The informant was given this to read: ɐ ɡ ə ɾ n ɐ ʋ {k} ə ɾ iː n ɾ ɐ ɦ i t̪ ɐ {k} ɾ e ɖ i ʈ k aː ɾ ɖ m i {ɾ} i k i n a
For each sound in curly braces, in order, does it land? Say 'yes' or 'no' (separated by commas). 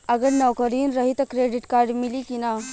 yes, yes, no